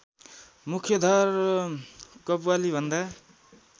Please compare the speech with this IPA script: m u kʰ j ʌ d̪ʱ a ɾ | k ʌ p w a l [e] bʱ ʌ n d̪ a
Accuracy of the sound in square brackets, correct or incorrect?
incorrect